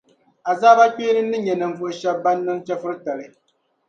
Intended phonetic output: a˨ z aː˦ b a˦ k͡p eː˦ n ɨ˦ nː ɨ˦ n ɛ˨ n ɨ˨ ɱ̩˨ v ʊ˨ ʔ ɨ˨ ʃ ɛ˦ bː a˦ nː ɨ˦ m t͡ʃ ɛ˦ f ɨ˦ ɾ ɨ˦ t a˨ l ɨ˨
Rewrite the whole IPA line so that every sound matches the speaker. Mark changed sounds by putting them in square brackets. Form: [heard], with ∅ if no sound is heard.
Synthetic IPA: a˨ z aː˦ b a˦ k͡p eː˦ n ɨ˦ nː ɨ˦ [ɲ] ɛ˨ n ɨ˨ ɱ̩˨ v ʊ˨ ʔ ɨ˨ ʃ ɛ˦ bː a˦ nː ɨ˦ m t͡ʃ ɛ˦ f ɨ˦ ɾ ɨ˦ t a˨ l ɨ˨